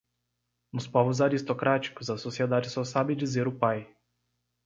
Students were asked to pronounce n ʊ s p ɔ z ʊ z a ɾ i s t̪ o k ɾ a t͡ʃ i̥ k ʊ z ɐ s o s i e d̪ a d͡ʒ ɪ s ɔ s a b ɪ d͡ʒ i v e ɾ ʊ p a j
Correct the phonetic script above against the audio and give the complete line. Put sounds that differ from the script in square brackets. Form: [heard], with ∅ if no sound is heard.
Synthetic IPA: n ʊ s p ɔ [v] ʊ z a ɾ i s t̪ o k ɾ a t͡ʃ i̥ k ʊ z ɐ s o s i e d̪ a d͡ʒ ɪ s ɔ s a b ɪ d͡ʒ i [z] e ɾ ʊ p a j